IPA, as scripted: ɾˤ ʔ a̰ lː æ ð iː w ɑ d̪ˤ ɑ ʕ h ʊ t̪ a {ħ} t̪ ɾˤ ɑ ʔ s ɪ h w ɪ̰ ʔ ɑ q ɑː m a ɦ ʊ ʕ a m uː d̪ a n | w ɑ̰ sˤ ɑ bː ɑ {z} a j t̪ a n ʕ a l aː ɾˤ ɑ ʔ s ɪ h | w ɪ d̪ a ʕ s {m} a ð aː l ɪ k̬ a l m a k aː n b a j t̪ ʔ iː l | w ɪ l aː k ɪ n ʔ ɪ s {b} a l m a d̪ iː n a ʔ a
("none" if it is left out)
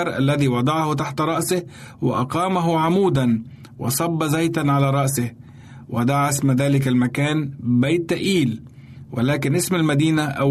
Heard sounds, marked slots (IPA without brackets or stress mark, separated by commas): ħ, z, m, m